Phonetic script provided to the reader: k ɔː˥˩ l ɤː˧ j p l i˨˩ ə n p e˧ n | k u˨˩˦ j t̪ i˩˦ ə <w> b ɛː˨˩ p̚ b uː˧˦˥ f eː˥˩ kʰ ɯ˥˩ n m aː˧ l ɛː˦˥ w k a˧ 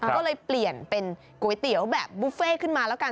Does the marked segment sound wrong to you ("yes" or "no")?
no